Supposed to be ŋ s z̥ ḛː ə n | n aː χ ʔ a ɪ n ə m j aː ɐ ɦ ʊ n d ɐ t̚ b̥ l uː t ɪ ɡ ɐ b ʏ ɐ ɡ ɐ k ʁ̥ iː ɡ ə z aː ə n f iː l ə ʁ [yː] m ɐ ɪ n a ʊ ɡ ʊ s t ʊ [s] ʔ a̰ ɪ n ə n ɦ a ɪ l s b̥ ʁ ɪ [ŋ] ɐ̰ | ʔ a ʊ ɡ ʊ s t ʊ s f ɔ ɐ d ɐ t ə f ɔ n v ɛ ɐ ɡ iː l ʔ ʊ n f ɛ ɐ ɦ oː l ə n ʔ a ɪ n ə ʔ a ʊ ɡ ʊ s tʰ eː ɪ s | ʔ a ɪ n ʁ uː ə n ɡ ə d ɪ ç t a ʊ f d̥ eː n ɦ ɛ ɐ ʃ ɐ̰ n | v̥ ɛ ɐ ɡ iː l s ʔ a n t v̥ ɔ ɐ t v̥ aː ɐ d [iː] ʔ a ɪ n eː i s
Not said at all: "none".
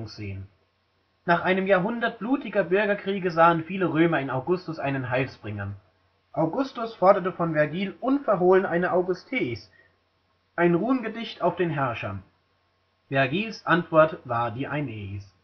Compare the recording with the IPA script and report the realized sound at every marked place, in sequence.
øː, s, ŋ, iː

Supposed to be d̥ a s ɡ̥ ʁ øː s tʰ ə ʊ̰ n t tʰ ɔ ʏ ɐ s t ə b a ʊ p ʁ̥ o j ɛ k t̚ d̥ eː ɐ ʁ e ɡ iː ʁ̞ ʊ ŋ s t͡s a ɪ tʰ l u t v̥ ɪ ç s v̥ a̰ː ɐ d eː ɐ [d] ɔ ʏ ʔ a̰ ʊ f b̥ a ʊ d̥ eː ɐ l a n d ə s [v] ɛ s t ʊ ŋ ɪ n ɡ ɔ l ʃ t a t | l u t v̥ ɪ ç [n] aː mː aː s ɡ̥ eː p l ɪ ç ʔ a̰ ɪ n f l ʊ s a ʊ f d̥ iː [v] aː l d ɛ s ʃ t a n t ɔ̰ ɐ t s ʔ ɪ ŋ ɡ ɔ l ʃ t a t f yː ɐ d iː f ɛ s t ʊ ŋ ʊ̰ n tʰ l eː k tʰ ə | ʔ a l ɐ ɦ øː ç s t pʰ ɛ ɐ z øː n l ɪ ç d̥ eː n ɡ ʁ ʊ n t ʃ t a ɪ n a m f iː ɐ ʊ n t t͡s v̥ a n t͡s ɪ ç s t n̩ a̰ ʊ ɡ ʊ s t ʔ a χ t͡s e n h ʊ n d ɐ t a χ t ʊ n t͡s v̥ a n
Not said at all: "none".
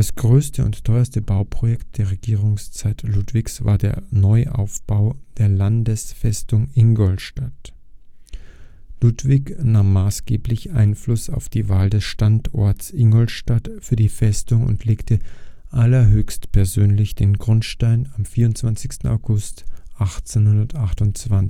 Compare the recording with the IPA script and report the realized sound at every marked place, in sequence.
n, f, n, v

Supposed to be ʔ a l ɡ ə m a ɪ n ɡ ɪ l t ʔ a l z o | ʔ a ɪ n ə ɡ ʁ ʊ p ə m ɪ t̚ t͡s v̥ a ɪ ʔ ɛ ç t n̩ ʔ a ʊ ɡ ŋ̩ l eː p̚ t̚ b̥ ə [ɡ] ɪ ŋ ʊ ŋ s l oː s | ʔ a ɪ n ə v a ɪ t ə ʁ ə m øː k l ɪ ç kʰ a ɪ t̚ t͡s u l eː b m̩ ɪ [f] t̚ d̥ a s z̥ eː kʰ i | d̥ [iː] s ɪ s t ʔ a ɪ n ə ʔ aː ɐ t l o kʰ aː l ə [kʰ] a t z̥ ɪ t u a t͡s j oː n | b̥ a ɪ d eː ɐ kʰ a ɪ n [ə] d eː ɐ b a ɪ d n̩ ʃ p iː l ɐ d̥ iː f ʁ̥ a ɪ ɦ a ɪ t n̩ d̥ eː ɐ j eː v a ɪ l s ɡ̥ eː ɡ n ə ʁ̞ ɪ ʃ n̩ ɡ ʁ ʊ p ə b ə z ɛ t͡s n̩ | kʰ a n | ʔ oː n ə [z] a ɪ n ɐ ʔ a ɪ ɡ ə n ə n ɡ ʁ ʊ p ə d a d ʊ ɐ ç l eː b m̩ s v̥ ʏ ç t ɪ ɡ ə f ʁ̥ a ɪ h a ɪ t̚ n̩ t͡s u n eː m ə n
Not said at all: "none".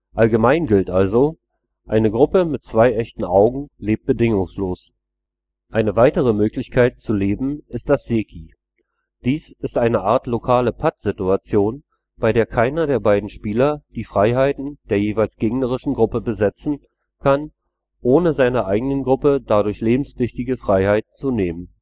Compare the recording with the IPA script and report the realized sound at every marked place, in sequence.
d, s, iː, pʰ, ɐ, z

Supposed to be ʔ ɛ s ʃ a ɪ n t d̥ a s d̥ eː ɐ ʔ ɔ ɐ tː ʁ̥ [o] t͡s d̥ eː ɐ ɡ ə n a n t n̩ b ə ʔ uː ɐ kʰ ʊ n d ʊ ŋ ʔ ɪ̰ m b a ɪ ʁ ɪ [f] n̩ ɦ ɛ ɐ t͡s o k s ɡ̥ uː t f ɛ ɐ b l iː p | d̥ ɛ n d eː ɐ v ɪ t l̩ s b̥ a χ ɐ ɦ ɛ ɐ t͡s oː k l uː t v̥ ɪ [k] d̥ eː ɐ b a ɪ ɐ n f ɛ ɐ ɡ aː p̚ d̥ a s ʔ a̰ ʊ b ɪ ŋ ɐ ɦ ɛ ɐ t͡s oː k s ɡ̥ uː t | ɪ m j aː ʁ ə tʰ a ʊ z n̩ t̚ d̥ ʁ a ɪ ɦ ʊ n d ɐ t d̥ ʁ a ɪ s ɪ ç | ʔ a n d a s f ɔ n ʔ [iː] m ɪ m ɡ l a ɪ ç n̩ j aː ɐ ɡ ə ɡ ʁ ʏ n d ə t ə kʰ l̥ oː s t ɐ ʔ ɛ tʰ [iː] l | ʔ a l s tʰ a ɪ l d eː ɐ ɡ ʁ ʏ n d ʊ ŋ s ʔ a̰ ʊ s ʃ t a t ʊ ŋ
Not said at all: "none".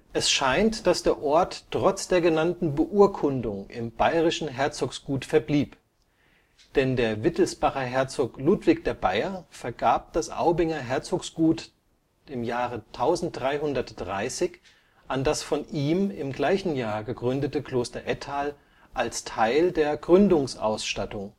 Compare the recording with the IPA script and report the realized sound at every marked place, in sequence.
ɔ, ʃ, k, iː, aː

